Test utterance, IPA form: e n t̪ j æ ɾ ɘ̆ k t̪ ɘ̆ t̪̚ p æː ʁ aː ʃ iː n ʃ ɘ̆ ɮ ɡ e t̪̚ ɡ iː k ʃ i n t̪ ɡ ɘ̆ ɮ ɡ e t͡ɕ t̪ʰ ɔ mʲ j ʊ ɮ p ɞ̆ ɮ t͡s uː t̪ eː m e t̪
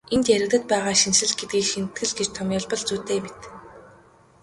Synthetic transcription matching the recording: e n t̪ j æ ɾ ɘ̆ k t̪ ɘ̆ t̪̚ p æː ʁ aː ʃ i n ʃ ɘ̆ ɮ ɡ e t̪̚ ɡ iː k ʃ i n t̪ ɡ ɘ̆ ɮ ɡ e t͡ɕ t̪ʰ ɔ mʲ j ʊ ɮ p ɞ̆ ɮ t͡s uː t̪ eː m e t̪